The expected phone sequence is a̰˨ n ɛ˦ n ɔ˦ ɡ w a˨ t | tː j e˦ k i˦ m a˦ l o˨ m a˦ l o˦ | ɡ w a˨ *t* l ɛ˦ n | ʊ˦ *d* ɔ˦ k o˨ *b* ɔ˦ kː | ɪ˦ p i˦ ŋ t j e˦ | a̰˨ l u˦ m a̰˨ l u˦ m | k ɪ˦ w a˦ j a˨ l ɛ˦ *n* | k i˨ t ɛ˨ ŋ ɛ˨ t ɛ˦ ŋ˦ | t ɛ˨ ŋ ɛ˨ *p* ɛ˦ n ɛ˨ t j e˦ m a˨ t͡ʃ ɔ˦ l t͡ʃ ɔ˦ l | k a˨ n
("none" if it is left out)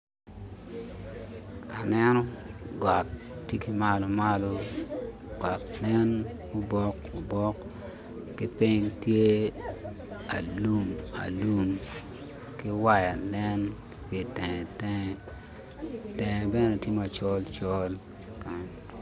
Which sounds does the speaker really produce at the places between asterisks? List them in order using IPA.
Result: t, b, b, n, b

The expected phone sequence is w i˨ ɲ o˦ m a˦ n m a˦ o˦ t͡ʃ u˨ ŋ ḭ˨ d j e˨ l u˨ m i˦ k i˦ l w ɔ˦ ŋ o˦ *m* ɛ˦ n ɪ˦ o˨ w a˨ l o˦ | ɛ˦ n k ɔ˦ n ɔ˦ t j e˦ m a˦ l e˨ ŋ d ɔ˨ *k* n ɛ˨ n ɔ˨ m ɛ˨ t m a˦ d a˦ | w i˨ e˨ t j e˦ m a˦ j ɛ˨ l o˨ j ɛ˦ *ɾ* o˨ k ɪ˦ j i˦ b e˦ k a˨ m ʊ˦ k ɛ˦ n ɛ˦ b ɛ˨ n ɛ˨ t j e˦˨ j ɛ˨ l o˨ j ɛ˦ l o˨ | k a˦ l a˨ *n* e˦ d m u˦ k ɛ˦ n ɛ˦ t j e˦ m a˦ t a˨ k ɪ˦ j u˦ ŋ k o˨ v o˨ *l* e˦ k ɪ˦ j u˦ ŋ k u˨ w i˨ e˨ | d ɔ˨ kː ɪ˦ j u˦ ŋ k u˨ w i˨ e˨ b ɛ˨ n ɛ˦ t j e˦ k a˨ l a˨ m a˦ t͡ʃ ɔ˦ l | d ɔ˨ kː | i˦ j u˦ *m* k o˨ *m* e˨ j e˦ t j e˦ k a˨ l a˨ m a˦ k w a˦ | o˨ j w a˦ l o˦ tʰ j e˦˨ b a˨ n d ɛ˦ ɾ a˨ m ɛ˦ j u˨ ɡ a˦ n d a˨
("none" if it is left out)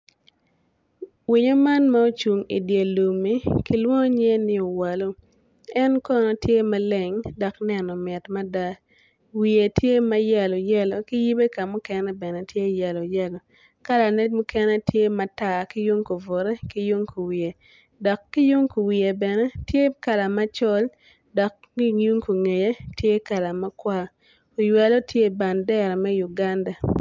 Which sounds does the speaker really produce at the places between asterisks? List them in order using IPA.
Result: ɲ, k, l, n, ɾ, ŋ, ŋ

